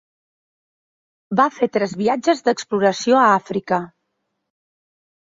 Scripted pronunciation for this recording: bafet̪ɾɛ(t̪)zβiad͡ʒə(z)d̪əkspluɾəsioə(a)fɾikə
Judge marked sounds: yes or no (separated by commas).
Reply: no, yes, yes